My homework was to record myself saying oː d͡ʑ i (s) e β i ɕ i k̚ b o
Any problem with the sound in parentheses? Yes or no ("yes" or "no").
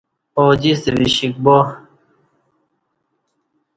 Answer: no